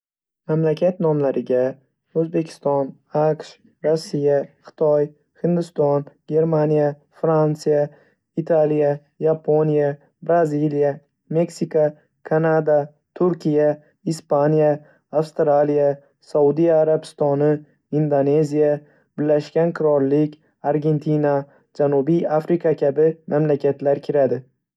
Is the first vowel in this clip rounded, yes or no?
no